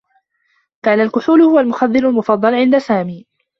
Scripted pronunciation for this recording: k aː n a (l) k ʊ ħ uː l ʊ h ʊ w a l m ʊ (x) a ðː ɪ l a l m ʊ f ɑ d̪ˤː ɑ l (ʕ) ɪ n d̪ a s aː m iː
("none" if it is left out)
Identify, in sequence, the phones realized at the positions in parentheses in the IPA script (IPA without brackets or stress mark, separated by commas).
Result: l, x, ʕ